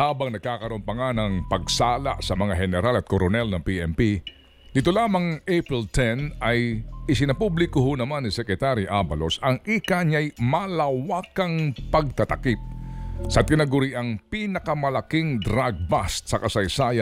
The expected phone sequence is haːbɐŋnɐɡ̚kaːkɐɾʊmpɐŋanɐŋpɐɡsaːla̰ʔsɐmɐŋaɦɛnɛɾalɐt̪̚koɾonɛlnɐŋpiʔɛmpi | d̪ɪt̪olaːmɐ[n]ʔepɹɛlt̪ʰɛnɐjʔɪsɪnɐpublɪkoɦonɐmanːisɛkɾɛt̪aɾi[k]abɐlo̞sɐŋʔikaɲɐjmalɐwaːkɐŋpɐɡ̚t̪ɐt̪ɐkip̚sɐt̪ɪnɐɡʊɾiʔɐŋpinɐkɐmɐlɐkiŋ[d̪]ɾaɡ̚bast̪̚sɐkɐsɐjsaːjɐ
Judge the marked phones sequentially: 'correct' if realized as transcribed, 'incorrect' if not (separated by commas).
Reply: incorrect, incorrect, correct